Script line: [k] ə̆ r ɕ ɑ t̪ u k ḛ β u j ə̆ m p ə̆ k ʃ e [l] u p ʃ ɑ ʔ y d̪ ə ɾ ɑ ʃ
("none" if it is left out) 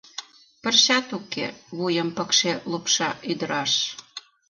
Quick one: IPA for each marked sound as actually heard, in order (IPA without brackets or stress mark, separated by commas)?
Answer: p, l